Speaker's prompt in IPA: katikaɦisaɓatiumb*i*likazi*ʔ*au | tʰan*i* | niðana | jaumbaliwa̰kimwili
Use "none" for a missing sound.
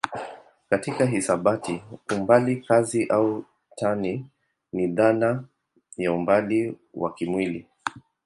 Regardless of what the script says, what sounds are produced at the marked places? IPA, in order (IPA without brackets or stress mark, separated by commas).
a, ʔ, i